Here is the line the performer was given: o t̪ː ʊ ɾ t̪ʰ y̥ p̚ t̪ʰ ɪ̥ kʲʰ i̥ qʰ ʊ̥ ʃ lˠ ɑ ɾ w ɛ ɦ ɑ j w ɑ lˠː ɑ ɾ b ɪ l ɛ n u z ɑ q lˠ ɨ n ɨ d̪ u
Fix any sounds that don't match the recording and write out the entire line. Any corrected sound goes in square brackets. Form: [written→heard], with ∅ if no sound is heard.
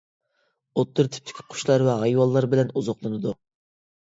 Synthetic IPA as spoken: o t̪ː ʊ ɾ t̪ʰ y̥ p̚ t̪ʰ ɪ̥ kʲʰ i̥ qʰ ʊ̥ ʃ lˠ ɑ ɾ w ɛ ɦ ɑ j w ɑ lˠː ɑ ɾ b ɪ l ɛ n u z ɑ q lˠ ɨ n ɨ d̪ u